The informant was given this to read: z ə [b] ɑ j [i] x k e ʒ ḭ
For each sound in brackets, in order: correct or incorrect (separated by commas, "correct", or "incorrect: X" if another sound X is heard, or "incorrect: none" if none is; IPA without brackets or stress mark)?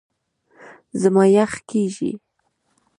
incorrect: m, incorrect: a